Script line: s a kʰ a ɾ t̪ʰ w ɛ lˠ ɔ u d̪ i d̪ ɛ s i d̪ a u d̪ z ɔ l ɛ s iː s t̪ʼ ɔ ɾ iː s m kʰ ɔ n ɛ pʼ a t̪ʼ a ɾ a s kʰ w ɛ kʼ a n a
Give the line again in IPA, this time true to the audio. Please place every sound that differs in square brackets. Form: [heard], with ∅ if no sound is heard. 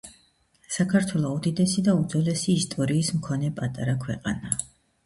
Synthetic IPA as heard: s a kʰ a ɾ t̪ʰ w ɛ lˠ ɔ u d̪ i d̪ ɛ s i d̪ a u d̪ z ɔ l ɛ s iː s t̪ʼ ɔ ɾ iː s m kʰ ɔ n ɛ pʼ a t̪ʼ a ɾ a [∅] kʰ w ɛ [qʼ] a n a

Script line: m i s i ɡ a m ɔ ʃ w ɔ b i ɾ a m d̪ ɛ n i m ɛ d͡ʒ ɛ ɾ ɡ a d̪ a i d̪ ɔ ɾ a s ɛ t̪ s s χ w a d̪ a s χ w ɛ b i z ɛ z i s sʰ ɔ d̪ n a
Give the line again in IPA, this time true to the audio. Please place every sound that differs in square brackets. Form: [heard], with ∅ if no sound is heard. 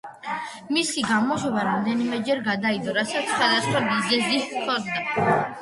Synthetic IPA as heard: m i s i ɡ a m ɔ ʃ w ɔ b [a] ɾ a m d̪ ɛ n i m ɛ d͡ʒ ɛ ɾ ɡ a d̪ a i d̪ ɔ ɾ a s [a] t̪ s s χ w a d̪ a s χ w [a] b i z ɛ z i s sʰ ɔ d̪ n a

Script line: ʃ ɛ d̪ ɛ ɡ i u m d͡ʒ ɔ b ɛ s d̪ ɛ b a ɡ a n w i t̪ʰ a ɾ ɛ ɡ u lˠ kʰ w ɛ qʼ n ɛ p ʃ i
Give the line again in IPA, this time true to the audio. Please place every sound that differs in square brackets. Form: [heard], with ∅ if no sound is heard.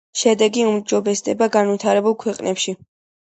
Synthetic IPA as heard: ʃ ɛ d̪ ɛ ɡ i u m d͡ʒ ɔ b ɛ s d̪ ɛ b a ɡ a n [v] i t̪ʰ a ɾ ɛ [b] u lˠ kʰ w ɛ qʼ n ɛ p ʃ i

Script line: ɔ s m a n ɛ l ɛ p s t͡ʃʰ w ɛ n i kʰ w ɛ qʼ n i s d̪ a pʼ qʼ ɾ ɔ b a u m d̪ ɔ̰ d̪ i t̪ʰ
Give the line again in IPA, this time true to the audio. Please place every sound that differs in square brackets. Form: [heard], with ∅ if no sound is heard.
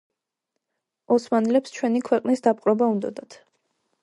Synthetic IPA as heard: ɔ s m a n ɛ l ɛ p s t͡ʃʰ w ɛ n i kʰ w ɛ qʼ n i s d̪ a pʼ qʼ ɾ ɔ b a u [n] d̪ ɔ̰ d̪ [a] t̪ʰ

